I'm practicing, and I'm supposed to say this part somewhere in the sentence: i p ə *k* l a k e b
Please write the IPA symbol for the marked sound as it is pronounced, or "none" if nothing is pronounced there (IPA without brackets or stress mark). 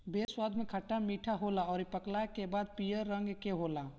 k